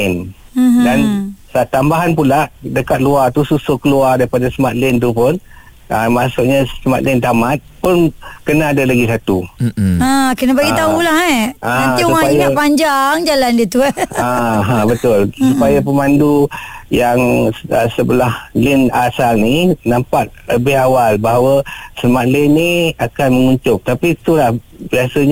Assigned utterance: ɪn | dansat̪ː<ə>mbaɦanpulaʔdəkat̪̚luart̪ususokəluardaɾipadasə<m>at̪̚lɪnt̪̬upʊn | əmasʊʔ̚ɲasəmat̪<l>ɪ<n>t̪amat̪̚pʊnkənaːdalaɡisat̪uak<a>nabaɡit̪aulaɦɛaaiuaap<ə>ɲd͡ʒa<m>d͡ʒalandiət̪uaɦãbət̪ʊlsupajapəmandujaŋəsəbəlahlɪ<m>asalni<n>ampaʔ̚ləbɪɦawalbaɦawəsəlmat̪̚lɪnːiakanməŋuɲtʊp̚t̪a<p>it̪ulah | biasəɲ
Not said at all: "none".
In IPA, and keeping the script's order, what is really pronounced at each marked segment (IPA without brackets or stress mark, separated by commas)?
a, m, l, n, ə, a, ŋ, n, n, p